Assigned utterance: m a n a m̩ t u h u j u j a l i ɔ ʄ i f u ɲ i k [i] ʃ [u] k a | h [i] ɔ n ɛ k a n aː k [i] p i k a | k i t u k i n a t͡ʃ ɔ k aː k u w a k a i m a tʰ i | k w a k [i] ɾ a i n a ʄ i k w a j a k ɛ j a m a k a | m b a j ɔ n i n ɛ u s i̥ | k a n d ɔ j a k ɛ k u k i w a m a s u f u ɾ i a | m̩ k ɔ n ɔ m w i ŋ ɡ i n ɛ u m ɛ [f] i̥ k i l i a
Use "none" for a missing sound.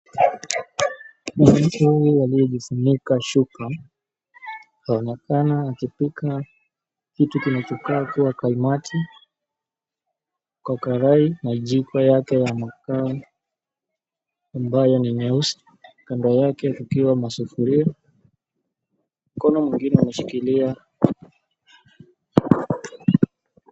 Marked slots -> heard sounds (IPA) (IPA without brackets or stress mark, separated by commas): a, u, a, i, a, ʃ